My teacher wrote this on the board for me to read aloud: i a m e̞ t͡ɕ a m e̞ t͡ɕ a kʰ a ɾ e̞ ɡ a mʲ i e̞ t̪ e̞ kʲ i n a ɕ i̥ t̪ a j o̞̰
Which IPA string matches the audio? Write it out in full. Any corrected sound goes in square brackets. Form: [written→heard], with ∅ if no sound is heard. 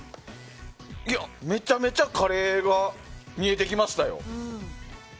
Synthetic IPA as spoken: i a m e̞ t͡ɕ a m e̞ t͡ɕ a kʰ a ɾ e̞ ɡ a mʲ i e̞ t̪ e̞ kʲ i [n→m] a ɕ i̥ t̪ a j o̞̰